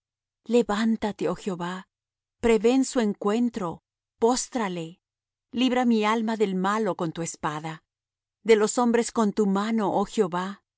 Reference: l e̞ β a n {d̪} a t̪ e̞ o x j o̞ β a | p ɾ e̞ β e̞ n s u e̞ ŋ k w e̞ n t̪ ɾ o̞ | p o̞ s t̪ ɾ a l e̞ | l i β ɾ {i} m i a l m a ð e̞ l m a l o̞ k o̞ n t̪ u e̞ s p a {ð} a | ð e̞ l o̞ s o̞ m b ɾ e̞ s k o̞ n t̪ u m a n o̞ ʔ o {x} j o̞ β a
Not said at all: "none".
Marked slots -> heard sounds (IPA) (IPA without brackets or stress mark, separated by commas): t̪, a, ð, x